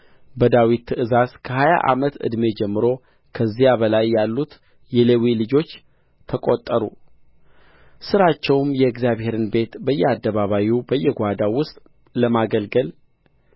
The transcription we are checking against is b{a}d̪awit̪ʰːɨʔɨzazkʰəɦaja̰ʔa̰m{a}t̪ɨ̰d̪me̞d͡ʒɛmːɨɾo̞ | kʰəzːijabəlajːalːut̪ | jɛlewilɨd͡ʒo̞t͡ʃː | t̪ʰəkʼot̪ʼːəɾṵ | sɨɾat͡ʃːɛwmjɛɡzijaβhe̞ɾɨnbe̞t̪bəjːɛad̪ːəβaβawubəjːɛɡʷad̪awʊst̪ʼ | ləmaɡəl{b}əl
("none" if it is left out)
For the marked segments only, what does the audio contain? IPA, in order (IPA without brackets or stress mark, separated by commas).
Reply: ə, ə, ɡ